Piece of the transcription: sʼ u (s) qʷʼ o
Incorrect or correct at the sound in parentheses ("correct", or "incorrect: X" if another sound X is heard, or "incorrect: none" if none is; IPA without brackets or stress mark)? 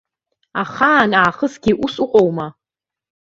incorrect: none